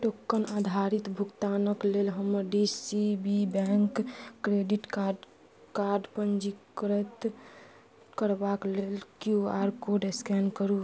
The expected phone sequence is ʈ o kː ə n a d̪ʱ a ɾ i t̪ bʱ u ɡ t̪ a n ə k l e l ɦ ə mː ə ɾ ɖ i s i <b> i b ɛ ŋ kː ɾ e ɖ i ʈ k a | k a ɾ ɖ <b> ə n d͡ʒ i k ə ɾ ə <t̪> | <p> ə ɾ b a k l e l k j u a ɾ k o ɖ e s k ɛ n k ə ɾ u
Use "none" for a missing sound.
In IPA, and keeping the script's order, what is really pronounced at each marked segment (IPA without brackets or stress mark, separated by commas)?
b, p, t̪, k